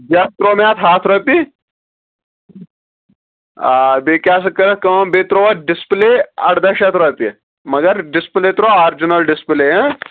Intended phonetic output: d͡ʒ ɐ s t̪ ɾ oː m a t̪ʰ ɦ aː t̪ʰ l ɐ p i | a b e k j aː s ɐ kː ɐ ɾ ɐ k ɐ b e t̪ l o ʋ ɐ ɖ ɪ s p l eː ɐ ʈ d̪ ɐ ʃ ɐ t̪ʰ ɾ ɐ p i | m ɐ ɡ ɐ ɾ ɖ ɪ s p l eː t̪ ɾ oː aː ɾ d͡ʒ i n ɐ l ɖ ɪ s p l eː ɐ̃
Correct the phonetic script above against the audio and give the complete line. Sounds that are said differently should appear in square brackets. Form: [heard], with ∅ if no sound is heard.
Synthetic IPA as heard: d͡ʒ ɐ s t̪ ɾ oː m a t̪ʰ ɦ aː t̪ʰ [ɾ] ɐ p i | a b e k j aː s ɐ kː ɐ ɾ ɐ k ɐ b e t̪ [ɾ] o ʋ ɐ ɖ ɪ s p l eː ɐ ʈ d̪ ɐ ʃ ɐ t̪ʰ ɾ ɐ p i | m ɐ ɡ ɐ ɾ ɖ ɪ s p l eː t̪ ɾ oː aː ɾ d͡ʒ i n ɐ l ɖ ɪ s p l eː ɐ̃